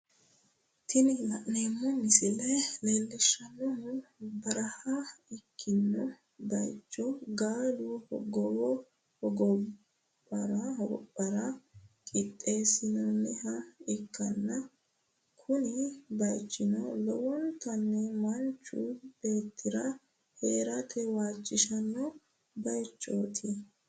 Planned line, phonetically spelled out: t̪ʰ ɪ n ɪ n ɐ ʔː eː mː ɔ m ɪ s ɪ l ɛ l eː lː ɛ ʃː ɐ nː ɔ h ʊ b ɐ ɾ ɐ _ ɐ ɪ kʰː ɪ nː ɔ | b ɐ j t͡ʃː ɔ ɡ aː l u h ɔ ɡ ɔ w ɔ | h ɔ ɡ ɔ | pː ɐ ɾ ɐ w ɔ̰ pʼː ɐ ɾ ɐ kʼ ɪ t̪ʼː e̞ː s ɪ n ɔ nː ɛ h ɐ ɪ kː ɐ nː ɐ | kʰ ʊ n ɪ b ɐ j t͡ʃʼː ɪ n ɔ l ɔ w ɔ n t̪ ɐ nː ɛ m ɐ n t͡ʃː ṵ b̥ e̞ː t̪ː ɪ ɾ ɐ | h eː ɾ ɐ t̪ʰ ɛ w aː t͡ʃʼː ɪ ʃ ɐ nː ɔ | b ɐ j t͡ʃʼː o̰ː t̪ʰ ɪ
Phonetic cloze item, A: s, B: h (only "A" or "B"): B